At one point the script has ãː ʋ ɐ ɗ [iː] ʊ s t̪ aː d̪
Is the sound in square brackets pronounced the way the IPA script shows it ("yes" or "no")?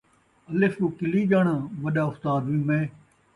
no